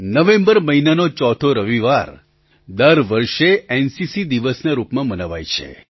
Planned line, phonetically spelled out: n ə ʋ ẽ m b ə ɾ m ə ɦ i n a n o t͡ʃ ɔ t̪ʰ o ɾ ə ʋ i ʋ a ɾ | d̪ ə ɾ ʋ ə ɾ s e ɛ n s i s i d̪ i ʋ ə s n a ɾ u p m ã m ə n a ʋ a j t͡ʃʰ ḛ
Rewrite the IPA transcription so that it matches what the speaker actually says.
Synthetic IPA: n ə ʋ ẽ m b ə ɾ m ə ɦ i n a n o t͡ʃ ɔ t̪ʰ o ɾ ə ʋ i ʋ a ɾ | d̪ ə ɾ ʋ ə ɾ ʃ e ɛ n s i s i d̪ i ʋ ə s n a ɾ u p m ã m ə n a ʋ a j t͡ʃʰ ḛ